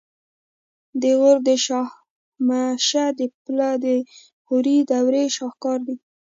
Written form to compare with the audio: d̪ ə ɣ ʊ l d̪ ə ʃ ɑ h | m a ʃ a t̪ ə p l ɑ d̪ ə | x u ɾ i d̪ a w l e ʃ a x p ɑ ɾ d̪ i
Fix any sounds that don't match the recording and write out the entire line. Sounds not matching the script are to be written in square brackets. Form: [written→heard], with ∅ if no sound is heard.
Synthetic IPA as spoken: d̪ ə ɣ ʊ [l→ɾ] d̪ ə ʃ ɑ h | m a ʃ a [t̪→d̪] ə p l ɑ d̪ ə | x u ɾ i d̪ a w [l→ɾ] e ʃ [a→ɑ] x [p→k] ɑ ɾ d̪ i